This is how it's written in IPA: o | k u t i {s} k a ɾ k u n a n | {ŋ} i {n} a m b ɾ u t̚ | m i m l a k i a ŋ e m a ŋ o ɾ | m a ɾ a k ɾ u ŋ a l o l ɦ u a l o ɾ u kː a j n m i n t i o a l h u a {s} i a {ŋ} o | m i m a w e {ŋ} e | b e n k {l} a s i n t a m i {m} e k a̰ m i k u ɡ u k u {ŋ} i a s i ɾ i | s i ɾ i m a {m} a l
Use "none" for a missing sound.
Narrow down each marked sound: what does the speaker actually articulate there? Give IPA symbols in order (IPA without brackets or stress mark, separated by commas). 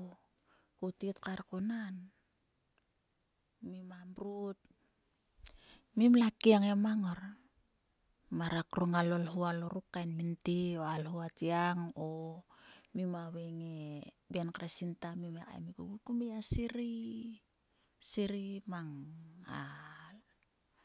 t, m, m, t, ŋ, ŋ, ɾ, m, m, ŋ